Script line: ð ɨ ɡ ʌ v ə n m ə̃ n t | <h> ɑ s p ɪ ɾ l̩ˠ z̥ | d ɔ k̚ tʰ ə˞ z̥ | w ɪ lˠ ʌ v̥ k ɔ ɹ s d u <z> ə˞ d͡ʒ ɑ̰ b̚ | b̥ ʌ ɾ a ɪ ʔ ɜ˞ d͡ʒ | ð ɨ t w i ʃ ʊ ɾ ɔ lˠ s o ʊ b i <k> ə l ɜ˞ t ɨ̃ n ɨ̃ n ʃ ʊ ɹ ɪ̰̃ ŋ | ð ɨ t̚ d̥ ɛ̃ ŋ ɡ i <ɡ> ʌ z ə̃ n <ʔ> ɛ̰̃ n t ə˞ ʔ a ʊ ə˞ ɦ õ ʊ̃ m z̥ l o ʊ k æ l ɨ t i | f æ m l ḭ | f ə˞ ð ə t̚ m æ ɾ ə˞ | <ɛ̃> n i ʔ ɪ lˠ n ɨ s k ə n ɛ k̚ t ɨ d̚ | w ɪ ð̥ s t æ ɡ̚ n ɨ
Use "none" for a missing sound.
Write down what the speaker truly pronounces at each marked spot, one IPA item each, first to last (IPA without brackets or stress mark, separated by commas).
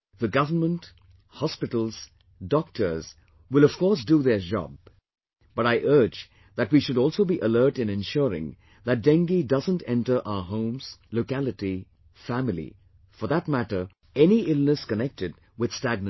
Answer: h, ð, ʔ, d, t, ɛ